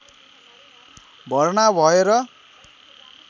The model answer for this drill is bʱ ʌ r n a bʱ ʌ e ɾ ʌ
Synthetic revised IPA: bʱ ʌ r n a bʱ ʌ e ɾ ʌ

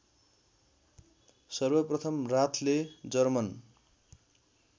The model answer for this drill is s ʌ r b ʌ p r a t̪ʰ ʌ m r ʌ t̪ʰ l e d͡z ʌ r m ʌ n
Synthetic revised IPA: s ʌ r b ʌ p r ʌ t̪ʰ ʌ m r a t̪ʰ l e d͡z ʌ r m ʌ n

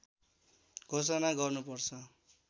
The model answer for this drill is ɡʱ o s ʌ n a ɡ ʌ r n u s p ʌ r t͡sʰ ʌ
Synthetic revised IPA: ɡʱ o s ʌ n a ɡ ʌ r n u p ʌ r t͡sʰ ʌ

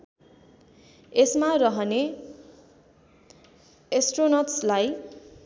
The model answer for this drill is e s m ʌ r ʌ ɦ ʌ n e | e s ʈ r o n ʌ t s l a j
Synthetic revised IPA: e s m a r ʌ ɦ ʌ n e | e s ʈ r o n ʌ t s l a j

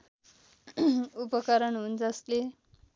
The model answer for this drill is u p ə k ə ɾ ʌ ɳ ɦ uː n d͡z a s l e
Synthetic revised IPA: u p ə k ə ɾ ə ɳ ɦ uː n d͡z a s l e

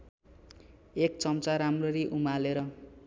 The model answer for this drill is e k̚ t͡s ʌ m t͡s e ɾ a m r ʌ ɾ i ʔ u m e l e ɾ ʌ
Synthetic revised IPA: e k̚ t͡s ʌ m t͡s a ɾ a m r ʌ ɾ i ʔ u m a l e ɾ ʌ

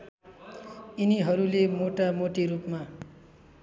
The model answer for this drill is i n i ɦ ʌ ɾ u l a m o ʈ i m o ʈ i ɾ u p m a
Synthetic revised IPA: i n i ɦ ʌ ɾ u l e m o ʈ a m o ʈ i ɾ u p m a

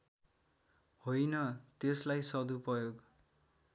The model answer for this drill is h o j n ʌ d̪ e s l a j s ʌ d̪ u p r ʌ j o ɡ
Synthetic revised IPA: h o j n ʌ t̪ e s l a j s ʌ d̪ u p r ʌ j o ɡ

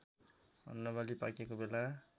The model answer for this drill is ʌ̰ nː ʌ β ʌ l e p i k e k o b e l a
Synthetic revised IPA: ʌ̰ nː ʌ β a l i p a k e k o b e l a

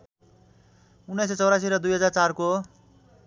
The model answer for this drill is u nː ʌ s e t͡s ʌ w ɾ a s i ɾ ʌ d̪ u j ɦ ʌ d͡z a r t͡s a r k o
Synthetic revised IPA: u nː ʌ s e t͡s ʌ w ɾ a s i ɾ ʌ d̪ u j ɦ ʌ d͡z a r t͡s a r k o

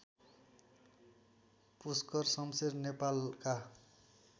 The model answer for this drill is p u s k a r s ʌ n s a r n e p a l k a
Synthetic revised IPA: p u s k ʌ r s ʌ m s e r n e p a l k a

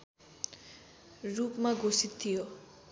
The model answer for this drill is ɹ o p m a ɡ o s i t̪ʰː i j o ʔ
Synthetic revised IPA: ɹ u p m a ɡ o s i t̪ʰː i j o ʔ

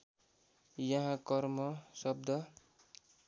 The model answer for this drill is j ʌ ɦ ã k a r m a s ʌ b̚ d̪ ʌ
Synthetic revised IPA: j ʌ ɦ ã k ʌ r m ʌ s ʌ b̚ d̪ ʌ

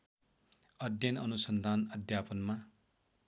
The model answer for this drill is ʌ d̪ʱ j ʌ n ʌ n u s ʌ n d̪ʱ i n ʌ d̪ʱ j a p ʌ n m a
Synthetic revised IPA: ʌ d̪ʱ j ʌ n ʌ n u s ʌ n d̪ʱ a n ʌ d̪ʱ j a p ʌ n m a

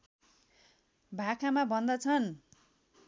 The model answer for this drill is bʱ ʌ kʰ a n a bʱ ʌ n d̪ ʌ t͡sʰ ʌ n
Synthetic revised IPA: bʱ a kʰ a m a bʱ ʌ n d̪ ʌ t͡sʰ ʌ n

